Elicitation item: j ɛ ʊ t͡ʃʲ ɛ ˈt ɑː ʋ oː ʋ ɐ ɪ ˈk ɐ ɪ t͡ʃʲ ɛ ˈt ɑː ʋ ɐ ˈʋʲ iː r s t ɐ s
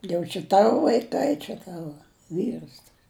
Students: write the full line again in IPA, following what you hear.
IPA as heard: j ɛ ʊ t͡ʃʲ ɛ ˈt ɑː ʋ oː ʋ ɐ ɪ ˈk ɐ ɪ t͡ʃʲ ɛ ˈt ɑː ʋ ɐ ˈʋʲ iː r s t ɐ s

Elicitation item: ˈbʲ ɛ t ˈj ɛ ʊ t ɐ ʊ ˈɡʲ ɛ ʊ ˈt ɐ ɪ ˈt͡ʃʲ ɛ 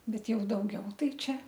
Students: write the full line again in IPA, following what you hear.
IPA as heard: ˈbʲ ɛ t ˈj ɛ ʊ d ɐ ʊ ˈɡʲ ɛ ʊ ˈt ɐ ɪ ˈt͡ʃʲ ɛ

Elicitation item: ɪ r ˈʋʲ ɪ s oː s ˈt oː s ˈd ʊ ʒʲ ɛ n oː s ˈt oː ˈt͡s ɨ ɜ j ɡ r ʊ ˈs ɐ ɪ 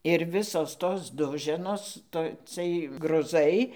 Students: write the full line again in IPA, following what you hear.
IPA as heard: ɪ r ˈʋʲ ɪ s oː s ˈt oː s ˈd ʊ ʒʲ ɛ n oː s ˈt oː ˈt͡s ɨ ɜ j ɡ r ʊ ˈz ɐ ɪ

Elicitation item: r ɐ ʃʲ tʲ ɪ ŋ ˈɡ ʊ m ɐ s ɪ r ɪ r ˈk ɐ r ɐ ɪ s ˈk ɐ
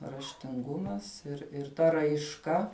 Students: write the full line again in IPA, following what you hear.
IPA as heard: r ɐ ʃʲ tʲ ɪ ŋ ˈɡ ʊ m ɐ s ɪ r ɪ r ˈt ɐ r ɐ ɪ ʃ ˈk ɐ

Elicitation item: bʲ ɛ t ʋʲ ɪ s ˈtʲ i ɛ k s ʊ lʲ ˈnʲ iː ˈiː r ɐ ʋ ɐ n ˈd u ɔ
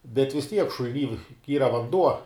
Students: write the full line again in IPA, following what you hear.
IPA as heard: bʲ ɛ t ʋʲ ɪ s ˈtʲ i ɛ k ʃ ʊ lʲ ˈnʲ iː ˈiː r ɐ ʋ ɐ n ˈd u ɔ

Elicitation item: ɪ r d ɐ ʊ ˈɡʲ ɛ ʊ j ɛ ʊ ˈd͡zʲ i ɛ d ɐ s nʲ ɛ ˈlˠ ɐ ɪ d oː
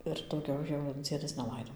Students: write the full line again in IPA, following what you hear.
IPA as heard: ɪ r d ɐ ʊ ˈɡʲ ɛ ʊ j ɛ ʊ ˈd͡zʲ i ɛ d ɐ s nʲ ɛ ˈlˠ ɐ ɪ d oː

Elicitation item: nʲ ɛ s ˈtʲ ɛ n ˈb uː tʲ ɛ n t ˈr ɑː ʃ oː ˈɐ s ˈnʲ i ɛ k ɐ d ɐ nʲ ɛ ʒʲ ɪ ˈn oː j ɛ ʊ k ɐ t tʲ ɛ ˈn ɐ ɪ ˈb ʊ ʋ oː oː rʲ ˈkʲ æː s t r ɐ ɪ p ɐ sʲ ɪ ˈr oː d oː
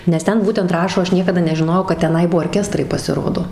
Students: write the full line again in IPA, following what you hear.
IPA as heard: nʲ ɛ s ˈtʲ ɛ n ˈb uː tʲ ɛ n t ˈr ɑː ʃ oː ˈɐ ʃ ˈnʲ i ɛ k ɐ d ɐ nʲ ɛ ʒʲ ɪ ˈn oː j ɛ ʊ k ɐ t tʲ ɛ ˈn ɐ ɪ ˈb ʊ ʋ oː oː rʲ ˈkʲ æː s t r ɐ ɪ p ɐ sʲ ɪ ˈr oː d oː

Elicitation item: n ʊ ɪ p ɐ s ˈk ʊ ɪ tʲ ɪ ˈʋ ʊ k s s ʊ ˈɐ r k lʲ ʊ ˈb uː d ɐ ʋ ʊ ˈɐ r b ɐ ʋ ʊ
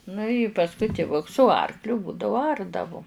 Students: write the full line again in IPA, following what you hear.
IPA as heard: n ʊ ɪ p ɐ s ˈk ʊ ɪ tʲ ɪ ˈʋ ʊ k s s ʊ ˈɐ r k lʲ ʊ ˈb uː d ɐ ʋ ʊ ˈɐ r d ɐ ʋ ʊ

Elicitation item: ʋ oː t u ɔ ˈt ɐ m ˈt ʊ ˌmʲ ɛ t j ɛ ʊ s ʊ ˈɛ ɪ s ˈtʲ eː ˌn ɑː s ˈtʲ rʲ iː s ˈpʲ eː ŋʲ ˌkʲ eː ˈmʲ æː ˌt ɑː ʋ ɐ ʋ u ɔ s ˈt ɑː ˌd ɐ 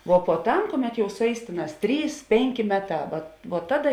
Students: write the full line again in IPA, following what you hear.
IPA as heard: ʋ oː p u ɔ ˈt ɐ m ˈk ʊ ˌmʲ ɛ t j ɛ ʊ s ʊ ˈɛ ɪ s ˈtʲ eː ˌn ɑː s ˈtʲ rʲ iː s ˈpʲ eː ŋʲ ˌkʲ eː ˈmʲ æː ˌt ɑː ʋ ɐ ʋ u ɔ ˈt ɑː ˌd ɐ

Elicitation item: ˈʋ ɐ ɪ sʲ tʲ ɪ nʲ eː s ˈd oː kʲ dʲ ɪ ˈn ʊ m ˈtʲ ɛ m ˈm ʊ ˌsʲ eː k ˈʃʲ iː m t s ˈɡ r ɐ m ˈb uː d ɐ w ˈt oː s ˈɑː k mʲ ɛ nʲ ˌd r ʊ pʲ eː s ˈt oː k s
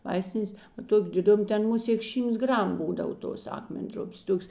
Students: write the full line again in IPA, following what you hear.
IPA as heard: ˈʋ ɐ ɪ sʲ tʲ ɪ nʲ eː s ˈt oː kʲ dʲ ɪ ˈd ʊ m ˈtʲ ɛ n ˈm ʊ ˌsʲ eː k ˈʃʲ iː m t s ˈɡ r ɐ m ˈb uː d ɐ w ˈt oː s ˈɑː k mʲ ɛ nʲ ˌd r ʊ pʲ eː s ˈt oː k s

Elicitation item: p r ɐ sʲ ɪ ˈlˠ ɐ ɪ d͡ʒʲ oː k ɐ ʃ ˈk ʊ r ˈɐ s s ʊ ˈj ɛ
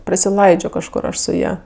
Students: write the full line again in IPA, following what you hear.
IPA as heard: p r ɐ sʲ ɪ ˈlˠ ɐ ɪ d͡ʒʲ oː k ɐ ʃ ˈk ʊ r ˈɐ ʃ s ʊ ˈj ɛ

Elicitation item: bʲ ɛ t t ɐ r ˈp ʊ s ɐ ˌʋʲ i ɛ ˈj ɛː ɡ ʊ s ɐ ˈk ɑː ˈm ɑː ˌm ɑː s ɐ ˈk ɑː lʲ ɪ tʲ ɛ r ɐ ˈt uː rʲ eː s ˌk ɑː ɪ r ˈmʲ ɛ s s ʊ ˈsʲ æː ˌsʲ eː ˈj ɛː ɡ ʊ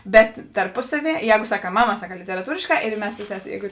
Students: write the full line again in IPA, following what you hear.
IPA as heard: bʲ ɛ t t ɐ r ˈp ʊ s ɐ ˌʋʲ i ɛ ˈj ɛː ɡ ʊ s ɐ ˈk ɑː ˈm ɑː ˌm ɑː s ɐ ˈk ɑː lʲ ɪ tʲ ɛ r ɐ ˈt uː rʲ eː ʃ ˌk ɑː ɪ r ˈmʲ ɛ s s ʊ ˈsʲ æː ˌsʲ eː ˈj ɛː ɡ ʊ

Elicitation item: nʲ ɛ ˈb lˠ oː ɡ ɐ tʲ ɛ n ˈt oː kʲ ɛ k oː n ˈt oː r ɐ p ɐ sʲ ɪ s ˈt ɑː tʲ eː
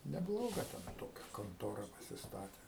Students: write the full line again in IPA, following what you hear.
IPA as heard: nʲ ɛ ˈb lˠ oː ɡ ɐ tʲ ɛ n ˈt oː kʲ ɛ k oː n ˈt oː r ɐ p ɐ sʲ ɪ s ˈt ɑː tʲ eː

